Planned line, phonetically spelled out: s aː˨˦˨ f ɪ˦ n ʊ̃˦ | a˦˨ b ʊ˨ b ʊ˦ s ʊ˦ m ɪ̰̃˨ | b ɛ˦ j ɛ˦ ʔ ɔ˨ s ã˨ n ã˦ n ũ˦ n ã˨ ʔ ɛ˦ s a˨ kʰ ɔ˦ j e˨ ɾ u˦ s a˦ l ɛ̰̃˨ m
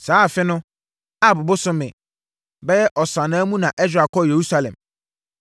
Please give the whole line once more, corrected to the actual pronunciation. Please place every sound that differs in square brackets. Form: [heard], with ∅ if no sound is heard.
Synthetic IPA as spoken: s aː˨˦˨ f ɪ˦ n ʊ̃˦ | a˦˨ b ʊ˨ b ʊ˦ s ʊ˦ m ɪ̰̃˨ | b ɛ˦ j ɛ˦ ʔ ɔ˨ s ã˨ n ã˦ [m] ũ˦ n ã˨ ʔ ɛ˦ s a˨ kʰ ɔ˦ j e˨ ɾ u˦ s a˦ l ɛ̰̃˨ m